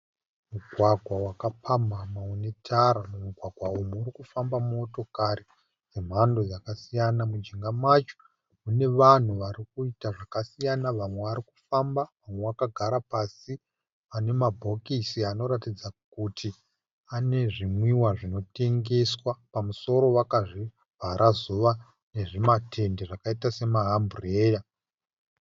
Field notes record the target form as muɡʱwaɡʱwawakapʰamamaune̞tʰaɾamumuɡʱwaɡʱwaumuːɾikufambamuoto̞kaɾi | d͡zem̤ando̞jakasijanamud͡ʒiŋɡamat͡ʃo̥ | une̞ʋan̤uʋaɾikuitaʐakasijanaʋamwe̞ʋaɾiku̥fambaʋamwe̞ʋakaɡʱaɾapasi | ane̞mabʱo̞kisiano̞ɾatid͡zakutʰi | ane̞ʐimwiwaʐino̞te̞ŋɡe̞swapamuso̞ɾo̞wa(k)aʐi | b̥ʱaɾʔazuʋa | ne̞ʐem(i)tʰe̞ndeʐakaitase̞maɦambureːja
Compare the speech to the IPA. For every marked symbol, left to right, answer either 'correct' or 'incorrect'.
correct, incorrect: a

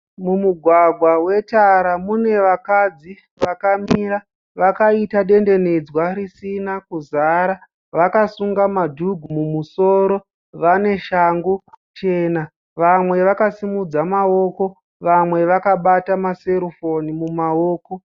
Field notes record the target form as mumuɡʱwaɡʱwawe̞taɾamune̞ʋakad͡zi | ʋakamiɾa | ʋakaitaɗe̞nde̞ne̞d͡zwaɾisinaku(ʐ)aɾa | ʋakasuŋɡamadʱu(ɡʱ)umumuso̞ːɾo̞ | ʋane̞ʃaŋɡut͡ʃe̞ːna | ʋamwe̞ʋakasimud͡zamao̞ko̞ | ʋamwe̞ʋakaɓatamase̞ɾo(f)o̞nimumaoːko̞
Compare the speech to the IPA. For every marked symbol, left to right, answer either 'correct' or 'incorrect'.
incorrect: z, correct, correct

